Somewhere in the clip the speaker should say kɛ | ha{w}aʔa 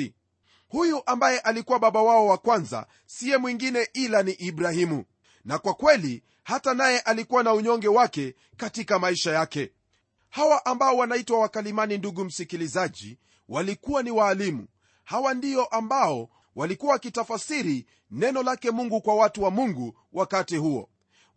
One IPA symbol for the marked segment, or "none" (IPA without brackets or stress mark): w